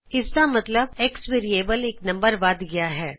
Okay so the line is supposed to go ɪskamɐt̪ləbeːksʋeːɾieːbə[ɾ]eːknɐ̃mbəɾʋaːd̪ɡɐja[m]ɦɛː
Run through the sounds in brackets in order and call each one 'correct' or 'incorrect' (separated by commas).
incorrect, incorrect